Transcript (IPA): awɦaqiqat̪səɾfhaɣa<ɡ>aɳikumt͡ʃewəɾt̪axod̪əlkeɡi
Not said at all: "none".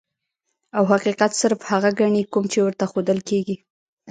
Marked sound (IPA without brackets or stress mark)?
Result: ɡ